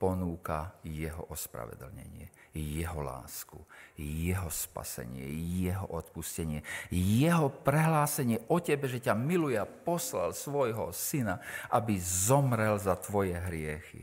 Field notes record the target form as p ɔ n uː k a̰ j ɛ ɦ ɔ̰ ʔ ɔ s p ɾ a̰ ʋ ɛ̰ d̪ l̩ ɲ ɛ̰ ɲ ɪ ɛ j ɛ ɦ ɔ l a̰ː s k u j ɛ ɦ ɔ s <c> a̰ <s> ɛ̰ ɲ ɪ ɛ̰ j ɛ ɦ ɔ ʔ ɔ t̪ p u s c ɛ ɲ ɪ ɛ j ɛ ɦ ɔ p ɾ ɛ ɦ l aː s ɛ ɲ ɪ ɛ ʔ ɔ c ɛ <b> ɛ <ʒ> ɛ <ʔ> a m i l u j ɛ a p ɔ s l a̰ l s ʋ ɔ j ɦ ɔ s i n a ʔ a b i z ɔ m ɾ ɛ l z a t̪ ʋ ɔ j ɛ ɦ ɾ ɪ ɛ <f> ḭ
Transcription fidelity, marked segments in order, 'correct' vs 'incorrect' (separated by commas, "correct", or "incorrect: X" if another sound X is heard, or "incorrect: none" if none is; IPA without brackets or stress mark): incorrect: p, correct, correct, correct, incorrect: c, incorrect: x